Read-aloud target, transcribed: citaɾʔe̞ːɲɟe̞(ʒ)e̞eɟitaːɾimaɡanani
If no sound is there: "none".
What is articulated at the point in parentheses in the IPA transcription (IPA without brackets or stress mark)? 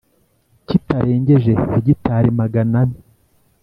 ʒ